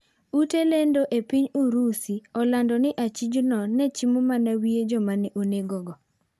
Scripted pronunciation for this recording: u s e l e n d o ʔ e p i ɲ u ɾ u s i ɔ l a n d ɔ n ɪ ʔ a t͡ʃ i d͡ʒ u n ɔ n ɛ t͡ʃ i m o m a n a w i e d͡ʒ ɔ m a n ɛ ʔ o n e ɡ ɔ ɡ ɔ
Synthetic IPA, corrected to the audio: u t e l e n d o ʔ e p i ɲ u ɾ u s i ɔ l a n d ɔ n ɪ ʔ a t͡ʃ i d͡ʒ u n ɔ n ɛ t͡ʃ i m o m a n a w i e d͡ʒ ɔ m a n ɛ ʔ o n e ɡ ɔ ɡ ɔ